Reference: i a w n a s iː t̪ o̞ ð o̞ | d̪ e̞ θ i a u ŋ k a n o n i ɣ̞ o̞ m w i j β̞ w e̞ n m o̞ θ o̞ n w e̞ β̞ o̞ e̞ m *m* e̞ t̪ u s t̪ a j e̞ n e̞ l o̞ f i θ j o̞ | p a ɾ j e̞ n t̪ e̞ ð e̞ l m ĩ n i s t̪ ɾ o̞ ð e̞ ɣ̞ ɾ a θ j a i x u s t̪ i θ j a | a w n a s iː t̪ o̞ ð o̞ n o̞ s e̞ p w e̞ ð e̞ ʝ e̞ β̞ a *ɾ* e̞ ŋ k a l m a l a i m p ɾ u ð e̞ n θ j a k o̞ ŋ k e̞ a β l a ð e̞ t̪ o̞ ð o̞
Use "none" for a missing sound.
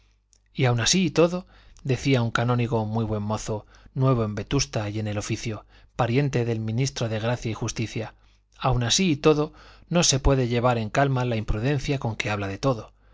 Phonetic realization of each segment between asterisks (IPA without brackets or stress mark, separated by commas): b, ɾ